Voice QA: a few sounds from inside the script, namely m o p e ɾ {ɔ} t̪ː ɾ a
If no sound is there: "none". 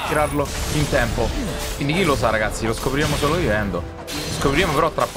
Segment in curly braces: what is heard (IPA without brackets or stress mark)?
ɔ